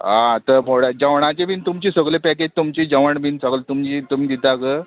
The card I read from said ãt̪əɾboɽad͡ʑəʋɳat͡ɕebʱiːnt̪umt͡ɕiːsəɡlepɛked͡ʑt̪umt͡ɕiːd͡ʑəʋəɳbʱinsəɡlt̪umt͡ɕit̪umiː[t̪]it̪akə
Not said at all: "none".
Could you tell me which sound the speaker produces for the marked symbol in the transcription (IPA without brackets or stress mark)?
d̪